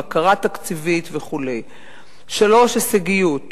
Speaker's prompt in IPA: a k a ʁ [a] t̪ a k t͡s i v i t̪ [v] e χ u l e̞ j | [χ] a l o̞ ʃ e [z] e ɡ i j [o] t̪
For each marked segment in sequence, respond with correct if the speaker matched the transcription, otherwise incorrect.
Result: correct, correct, incorrect: ʃ, incorrect: s, incorrect: u

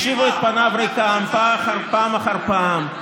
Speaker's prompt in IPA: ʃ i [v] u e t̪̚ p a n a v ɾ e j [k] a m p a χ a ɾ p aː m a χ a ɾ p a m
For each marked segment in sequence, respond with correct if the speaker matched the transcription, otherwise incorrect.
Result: correct, correct

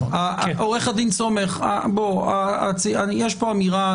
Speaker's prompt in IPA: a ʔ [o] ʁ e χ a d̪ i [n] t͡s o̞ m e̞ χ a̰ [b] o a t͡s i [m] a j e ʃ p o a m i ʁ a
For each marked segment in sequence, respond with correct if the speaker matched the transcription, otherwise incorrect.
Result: correct, correct, correct, incorrect: none

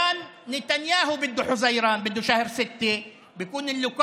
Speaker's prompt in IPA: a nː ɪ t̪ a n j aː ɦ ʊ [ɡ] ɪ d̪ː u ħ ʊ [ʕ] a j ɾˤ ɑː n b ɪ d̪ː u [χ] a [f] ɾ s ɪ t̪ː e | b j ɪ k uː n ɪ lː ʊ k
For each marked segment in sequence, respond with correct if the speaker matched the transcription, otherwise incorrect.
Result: incorrect: b, incorrect: z, incorrect: ʃ, incorrect: h

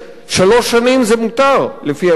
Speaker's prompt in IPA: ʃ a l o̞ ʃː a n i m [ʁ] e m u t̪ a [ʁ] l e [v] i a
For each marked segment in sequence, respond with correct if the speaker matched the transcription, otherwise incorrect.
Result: incorrect: z, correct, incorrect: f

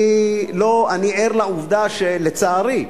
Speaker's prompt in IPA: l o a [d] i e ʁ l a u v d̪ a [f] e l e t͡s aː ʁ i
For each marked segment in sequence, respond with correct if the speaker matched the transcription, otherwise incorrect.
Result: incorrect: n, incorrect: ʃ

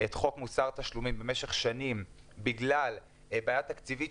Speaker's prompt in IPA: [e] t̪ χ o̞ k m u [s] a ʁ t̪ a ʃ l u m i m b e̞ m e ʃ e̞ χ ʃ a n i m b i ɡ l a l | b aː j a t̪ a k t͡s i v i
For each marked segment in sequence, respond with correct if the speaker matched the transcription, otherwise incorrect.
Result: correct, correct

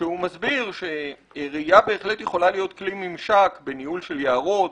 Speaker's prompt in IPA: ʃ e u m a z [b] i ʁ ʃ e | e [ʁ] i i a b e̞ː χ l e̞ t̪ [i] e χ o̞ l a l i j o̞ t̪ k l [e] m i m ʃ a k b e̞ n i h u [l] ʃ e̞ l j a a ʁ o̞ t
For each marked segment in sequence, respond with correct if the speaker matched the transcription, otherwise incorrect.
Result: correct, correct, incorrect: j, incorrect: i, correct

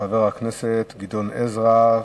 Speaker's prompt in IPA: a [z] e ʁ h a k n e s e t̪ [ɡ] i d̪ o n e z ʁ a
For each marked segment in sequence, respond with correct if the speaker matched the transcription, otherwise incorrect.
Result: incorrect: v, correct

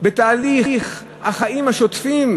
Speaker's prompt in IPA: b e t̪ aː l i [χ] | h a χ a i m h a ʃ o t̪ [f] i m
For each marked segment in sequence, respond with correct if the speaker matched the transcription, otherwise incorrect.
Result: correct, correct

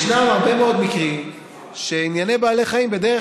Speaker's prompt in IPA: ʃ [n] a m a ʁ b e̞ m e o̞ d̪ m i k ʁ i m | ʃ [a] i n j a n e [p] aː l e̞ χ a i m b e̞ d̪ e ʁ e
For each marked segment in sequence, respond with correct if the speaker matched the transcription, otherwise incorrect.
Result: correct, incorrect: e, incorrect: b

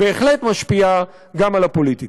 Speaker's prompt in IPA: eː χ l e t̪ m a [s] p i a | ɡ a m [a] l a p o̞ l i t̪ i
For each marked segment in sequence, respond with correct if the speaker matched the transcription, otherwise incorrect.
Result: incorrect: ʃ, correct

